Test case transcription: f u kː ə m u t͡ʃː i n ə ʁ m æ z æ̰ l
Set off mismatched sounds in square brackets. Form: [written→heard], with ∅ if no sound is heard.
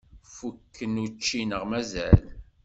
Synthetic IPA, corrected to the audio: f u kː ə [m→n] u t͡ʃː i n ə ʁ m æ z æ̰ l